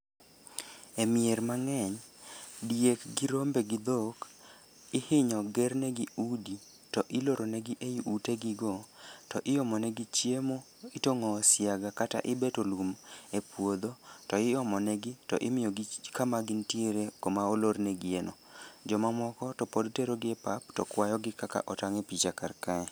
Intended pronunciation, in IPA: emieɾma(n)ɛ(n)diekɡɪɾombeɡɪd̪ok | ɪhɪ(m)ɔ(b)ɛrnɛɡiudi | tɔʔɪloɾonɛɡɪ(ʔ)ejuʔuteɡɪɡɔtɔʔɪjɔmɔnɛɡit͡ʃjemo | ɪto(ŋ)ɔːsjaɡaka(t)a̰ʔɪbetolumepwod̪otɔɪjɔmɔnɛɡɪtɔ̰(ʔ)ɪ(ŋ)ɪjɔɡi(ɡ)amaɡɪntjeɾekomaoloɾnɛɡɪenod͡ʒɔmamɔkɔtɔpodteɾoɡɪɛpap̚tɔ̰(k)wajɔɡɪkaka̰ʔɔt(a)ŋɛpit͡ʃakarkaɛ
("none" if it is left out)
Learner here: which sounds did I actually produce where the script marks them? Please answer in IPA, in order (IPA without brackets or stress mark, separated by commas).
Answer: ŋ, ɲ, ɲ, ɡ, ʔ, ŋ, t, ʔ, m, k, k, a